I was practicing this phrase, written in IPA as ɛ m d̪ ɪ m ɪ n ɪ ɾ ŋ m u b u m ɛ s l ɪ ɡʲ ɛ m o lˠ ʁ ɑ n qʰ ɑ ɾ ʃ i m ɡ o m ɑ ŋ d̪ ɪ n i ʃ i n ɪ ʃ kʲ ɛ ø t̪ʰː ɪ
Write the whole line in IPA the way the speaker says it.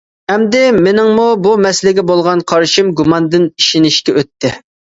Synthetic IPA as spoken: ɛ m d̪ ɪ m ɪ n ɪ ŋ m u b u m ɛ s l ɪ ɡʲ ɛ b o lˠ ʁ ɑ n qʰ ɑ ɾ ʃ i m ɡ u m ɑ n d̪ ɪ n i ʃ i n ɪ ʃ kʲ ɛ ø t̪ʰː ɪ

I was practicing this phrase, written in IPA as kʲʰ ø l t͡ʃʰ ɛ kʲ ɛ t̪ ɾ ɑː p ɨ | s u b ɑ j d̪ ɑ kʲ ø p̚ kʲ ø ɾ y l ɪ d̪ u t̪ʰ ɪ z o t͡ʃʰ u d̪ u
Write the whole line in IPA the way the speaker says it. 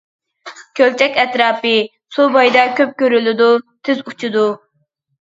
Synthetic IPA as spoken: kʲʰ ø l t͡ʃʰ ɛ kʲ ɛ t̪ ɾ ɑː p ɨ | s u b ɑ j d̪ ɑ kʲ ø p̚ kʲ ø ɾ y l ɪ d̪ u t̪ʰ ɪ z u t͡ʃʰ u d̪ u

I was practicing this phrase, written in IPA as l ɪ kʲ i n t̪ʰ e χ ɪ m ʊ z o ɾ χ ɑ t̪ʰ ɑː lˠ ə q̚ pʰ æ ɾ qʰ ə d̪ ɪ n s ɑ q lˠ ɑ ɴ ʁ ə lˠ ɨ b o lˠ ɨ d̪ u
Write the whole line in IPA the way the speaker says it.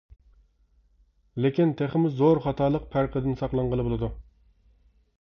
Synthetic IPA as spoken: l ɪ kʲ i n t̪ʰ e χ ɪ m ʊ z o ɾ χ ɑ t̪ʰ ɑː lˠ ə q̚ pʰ æ ɾ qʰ ə d̪ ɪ n s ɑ q lˠ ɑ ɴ ʁ ə lˠ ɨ b o lˠ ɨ d̪ u

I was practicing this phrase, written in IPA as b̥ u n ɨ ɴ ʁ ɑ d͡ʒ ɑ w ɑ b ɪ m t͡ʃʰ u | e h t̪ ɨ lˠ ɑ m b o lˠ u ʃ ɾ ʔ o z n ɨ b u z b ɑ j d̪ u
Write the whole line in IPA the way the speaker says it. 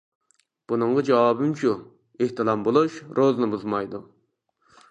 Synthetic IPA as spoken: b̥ u n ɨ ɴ ʁ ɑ d͡ʒ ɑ w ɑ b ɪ m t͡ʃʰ u | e h t̪ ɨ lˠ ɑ m b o lˠ u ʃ ɾ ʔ o z n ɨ b u z m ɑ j d̪ u

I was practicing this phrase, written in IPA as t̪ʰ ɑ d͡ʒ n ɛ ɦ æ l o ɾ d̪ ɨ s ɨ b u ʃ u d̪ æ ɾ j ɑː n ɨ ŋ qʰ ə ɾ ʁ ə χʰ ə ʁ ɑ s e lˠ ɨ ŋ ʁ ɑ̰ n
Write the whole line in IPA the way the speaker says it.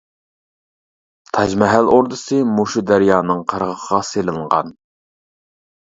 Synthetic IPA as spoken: t̪ʰ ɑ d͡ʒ m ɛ ɦ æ l o ɾ d̪ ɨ s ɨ m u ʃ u d̪ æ ɾ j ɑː n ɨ ŋ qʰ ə ɾ ʁ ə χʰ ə ʁ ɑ s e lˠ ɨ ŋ ʁ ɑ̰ n

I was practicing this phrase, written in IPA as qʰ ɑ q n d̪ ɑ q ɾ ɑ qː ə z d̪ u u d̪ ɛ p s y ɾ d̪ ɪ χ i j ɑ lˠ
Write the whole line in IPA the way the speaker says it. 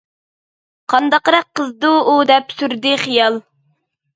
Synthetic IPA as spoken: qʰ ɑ n d̪ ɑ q ɾ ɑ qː ə z d̪ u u d̪ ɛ p s y ɾ d̪ ɪ χ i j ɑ lˠ

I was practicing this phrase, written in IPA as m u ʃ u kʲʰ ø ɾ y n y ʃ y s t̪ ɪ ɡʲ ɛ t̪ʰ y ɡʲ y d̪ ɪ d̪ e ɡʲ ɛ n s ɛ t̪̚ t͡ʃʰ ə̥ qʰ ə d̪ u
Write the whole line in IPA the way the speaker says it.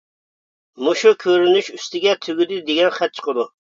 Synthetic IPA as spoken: m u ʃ u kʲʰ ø ɾ y n y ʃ y s t̪ ɪ ɡʲ ɛ t̪ʰ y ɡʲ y d̪ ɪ d̪ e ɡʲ ɛ n χ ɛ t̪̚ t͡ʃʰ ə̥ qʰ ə d̪ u

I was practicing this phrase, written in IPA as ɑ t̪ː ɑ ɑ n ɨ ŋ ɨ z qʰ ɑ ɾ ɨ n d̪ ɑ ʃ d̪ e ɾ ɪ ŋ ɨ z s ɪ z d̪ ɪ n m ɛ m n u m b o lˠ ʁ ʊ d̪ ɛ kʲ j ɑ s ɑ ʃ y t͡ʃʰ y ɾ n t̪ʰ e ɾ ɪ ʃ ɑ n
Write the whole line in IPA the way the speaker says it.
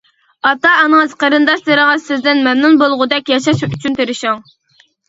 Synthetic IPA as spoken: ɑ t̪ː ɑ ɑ n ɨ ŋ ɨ z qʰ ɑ ɾ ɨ n d̪ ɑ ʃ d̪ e ɾ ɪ ŋ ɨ z s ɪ z d̪ ɪ n m ɛ m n u n b o lˠ ʁ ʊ d̪ ɛ kʲ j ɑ ʃ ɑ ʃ y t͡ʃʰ y n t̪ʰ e ɾ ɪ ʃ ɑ ŋ

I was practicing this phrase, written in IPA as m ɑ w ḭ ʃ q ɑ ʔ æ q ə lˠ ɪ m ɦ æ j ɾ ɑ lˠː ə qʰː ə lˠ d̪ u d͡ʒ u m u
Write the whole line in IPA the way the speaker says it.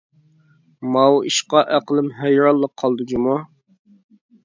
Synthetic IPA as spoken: m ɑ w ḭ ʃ q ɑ ʔ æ q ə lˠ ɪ m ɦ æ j ɾ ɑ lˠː ə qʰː ɑ lˠ d̪ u d͡ʒ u m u

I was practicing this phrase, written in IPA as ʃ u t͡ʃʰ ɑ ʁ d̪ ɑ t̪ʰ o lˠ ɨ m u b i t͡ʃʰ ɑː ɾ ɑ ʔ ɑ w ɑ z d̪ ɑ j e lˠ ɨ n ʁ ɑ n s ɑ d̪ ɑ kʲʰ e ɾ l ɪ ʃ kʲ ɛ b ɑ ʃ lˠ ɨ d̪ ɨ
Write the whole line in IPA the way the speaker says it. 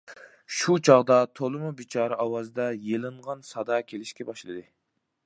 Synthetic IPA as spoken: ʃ u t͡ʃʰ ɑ ʁ d̪ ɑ t̪ʰ o lˠ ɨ m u b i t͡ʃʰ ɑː ɾ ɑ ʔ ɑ w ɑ z d̪ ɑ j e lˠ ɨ ɴ ʁ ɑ n s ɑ d̪ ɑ kʲʰ e l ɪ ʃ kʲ ɛ b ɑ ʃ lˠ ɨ d̪ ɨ

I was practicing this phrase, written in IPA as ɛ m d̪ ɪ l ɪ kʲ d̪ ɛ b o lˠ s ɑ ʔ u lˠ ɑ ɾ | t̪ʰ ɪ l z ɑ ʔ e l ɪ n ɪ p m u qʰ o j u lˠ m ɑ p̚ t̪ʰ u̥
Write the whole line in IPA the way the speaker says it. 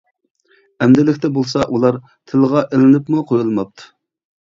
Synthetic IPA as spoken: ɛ m d̪ ɪ l ɪ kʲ t̪ ɛ b o lˠ s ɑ ʔ u lˠ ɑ ɾ | t̪ʰ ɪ l ʁ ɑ ʔ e l ɪ n ɪ p m u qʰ o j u lˠ m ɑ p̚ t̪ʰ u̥

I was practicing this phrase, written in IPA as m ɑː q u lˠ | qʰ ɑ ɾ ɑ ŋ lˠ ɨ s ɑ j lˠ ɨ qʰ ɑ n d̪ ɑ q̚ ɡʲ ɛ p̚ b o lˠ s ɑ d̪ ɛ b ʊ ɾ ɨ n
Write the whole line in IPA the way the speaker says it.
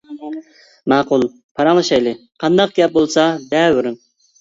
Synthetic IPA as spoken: m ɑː q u lˠ | pʰ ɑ ɾ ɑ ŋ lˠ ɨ ʃ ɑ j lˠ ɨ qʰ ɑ n d̪ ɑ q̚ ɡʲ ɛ p̚ b o lˠ s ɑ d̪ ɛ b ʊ ɾ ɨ n

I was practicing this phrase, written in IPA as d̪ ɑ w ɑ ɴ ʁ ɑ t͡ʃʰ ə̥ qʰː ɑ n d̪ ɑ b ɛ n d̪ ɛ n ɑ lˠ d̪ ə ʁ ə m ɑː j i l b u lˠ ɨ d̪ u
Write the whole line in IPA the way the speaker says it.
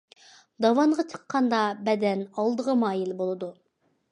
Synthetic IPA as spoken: d̪ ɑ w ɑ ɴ ʁ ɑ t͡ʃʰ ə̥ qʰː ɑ n d̪ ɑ b ɛ d̪ ɛ n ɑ lˠ d̪ ə ʁ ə m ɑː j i l b o lˠ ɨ d̪ u

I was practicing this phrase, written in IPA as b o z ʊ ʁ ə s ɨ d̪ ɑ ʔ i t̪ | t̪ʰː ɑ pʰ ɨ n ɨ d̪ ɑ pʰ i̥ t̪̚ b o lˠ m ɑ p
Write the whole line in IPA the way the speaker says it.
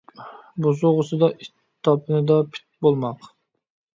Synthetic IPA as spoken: b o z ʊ ʁ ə s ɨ d̪ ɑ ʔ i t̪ | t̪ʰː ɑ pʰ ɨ n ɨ d̪ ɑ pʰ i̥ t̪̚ b o lˠ m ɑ q

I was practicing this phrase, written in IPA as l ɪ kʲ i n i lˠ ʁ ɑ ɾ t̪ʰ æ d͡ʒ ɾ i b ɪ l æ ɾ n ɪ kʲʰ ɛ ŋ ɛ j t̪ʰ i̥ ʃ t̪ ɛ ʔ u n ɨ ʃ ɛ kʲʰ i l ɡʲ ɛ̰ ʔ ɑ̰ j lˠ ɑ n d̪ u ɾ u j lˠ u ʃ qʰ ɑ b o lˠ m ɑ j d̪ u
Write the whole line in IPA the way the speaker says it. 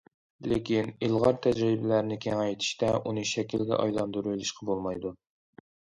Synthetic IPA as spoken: l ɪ kʲ i n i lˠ ʁ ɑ ɾ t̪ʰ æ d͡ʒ ɾ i b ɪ l æ ɾ n ɪ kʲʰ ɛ ŋ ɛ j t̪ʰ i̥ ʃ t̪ ɛ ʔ u n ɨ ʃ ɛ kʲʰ i l ɡʲ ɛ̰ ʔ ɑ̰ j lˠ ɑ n d̪ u ɾ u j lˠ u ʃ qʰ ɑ b o lˠ m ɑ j d̪ u

